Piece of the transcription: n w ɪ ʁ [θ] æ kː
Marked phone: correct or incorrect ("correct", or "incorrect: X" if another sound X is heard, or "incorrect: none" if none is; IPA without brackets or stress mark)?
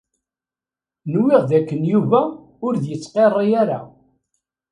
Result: incorrect: ð